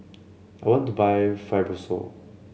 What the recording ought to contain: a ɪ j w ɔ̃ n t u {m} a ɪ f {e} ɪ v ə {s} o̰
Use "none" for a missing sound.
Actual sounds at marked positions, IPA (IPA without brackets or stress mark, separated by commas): b, a, s